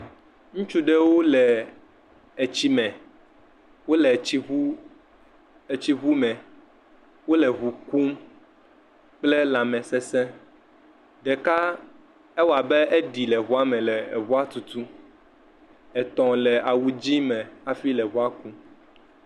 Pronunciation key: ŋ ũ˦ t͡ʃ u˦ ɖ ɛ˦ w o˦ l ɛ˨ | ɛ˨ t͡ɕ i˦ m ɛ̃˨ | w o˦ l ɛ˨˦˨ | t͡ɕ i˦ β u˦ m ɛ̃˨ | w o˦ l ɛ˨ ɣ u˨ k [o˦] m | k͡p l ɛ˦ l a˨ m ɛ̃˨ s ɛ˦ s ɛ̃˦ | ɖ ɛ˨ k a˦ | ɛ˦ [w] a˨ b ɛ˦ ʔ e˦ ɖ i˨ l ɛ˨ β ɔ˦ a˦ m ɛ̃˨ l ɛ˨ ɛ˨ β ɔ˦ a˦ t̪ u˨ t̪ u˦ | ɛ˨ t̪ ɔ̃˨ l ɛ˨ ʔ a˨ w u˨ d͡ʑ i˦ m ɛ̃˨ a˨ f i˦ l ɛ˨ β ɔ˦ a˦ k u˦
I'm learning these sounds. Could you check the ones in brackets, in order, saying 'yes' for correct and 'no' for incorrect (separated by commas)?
no, yes